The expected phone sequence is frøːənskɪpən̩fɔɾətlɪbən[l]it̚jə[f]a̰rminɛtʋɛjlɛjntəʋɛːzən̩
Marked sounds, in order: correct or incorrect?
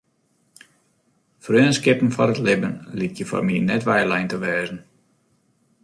correct, correct

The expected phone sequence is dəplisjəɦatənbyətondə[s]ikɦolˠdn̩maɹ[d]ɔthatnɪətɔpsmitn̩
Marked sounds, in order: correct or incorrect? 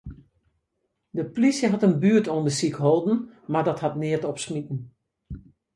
correct, correct

